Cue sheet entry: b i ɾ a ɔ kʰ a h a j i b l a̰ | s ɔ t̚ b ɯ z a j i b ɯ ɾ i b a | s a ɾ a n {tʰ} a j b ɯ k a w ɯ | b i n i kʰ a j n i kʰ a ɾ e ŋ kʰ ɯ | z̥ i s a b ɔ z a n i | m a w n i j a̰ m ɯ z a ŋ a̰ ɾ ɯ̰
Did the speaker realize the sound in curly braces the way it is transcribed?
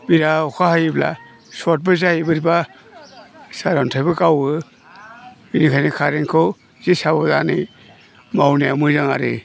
yes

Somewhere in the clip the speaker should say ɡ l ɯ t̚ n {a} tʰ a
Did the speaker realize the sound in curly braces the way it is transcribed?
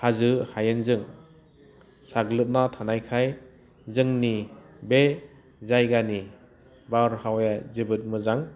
yes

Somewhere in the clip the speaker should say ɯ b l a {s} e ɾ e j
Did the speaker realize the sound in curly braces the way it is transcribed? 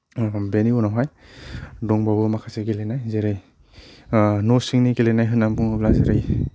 no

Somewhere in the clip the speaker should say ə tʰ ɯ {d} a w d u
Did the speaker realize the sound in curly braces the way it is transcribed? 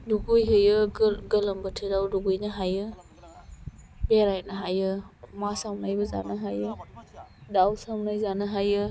yes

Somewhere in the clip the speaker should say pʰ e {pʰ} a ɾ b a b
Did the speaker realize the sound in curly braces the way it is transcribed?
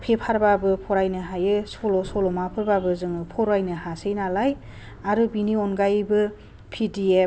yes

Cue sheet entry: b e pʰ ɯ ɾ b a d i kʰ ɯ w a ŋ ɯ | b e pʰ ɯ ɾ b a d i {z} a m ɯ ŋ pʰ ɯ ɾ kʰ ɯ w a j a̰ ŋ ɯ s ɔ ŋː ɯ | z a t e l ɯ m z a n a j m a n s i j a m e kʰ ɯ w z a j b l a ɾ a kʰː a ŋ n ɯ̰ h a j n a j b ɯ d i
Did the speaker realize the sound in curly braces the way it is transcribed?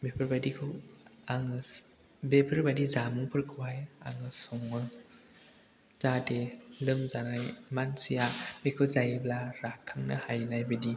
yes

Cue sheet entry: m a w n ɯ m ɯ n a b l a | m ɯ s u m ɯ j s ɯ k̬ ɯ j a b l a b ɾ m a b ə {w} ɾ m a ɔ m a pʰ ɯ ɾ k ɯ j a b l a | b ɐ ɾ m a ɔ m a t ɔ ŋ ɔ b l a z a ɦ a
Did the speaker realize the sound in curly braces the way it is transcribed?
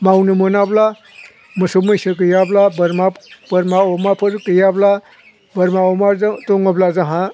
no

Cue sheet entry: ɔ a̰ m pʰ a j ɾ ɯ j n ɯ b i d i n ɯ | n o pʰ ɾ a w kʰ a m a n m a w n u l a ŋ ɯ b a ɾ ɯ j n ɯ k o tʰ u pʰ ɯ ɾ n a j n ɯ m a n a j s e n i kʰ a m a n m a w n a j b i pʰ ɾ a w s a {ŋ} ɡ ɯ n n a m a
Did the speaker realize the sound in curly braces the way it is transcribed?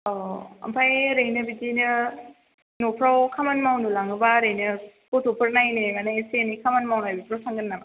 yes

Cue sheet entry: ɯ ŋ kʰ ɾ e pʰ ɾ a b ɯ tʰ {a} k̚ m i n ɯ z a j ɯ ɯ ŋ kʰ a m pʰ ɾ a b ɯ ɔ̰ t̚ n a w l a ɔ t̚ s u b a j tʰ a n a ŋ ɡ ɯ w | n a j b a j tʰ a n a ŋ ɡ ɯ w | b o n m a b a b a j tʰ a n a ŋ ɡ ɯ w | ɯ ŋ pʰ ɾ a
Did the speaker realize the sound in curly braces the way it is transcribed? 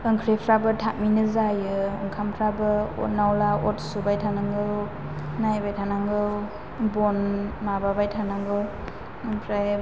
yes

